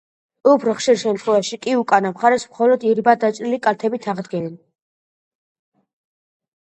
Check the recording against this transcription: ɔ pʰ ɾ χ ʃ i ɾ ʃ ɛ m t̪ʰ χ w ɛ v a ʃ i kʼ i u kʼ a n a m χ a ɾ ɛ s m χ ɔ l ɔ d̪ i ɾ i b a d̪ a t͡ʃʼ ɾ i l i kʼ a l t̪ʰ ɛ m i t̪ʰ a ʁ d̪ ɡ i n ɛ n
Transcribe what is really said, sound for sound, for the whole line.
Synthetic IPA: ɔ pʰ ɾ χ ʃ i ɾ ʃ ɛ m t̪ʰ χ w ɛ v a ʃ i kʼ i u kʼ a n a m χ a ɾ ɛ s m χ ɔ l ɔ d̪ i ɾ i b a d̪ a t͡ʃʼ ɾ i l i kʼ a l t̪ʰ ɛ b i t̪ʰ a ʁ d̪ ɡ ɛ n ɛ n